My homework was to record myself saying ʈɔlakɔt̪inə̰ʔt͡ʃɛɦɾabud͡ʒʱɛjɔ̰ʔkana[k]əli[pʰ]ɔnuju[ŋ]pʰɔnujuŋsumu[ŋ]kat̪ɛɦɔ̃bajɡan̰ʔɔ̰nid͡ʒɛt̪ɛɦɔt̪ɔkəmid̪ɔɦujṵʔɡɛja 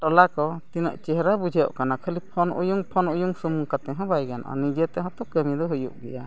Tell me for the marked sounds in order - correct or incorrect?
incorrect: kʰ, correct, correct, correct

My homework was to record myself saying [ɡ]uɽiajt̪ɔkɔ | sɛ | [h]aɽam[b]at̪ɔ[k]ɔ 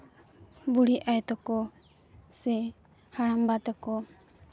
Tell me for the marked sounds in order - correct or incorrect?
incorrect: b, correct, correct, correct

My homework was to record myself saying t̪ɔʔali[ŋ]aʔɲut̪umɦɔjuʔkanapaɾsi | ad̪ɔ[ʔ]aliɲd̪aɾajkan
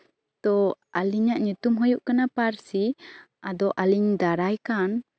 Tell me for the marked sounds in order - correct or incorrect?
incorrect: ɲ, correct

